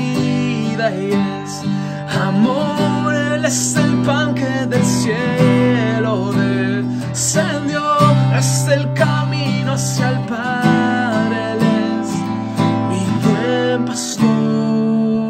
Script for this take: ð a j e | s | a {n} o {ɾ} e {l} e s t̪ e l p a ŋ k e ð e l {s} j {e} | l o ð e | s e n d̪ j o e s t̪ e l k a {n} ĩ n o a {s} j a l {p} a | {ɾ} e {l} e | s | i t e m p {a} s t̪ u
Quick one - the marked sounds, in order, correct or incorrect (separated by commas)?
incorrect, correct, correct, correct, correct, incorrect, correct, correct, correct, correct, correct